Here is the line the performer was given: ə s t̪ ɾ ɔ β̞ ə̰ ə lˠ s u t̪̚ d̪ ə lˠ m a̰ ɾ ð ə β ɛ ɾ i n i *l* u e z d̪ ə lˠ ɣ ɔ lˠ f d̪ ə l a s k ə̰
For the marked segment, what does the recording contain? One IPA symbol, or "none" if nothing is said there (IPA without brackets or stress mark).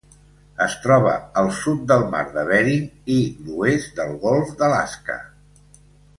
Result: l